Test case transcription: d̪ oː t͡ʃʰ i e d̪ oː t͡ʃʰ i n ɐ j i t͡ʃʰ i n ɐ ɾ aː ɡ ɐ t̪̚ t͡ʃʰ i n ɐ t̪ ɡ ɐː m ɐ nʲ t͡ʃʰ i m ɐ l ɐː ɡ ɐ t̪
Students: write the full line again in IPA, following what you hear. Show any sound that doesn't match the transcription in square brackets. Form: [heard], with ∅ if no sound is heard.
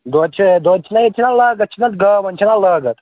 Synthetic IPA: d̪ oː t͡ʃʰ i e d̪ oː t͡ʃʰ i n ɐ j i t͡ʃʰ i n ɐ [l] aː ɡ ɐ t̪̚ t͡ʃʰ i n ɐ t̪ ɡ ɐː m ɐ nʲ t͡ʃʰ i [n] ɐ l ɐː ɡ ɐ t̪